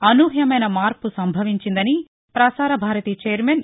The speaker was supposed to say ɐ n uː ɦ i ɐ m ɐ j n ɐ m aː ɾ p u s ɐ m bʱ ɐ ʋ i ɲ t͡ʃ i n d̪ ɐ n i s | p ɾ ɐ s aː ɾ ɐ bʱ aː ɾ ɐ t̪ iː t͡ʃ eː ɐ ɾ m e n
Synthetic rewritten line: ɐ n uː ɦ j ɐ m ɐ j n ɐ m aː ɾ p u s ɐ m bʱ ɐ ʋ i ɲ t͡ʃ i n d̪ ɐ n i | p ɾ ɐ s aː ɾ ɐ bʱ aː ɾ ɐ t̪ iː t͡ʃ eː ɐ ɾ m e n